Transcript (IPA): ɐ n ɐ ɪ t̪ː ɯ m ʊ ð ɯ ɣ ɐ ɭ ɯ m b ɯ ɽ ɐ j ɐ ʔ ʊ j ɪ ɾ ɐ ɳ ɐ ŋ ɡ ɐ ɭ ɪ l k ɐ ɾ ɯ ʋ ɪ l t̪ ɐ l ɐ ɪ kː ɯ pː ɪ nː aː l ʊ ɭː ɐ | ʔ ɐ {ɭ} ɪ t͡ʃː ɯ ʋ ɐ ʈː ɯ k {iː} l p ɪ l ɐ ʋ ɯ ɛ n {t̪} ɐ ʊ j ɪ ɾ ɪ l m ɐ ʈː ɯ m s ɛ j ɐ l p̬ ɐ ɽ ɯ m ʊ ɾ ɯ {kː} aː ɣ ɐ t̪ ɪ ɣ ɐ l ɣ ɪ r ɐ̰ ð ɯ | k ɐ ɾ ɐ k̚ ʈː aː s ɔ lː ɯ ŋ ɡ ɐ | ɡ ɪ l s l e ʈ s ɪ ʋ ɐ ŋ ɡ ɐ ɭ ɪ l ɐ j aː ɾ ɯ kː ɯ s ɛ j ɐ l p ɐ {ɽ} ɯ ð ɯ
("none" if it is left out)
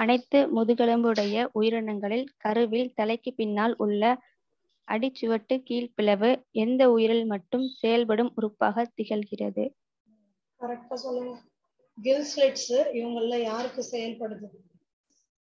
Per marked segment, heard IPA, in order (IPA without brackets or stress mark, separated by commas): ɽ, iː, d̪, pː, ɽ